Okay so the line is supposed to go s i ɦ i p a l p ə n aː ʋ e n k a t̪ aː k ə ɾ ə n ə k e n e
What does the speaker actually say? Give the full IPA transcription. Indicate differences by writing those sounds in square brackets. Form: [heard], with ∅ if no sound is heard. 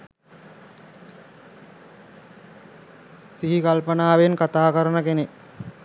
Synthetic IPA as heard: s i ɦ i [k] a l p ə n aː ʋ e n k a t̪ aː k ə ɾ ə n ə k e n e